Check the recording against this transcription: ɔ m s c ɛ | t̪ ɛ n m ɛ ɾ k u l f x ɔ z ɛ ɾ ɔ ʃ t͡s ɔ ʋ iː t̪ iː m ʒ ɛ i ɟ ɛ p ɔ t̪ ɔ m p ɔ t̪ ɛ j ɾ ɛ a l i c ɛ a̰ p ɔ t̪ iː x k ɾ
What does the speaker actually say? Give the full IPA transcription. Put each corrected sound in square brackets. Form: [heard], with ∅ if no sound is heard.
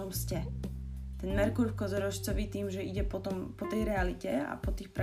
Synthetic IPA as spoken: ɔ m s c ɛ | t̪ ɛ n m ɛ ɾ k u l f [k] ɔ z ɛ ɾ ɔ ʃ t͡s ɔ ʋ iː t̪ iː m ʒ ɛ i ɟ ɛ p ɔ t̪ ɔ m p ɔ t̪ ɛ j ɾ ɛ a l i c ɛ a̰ p ɔ t̪ iː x [p] ɾ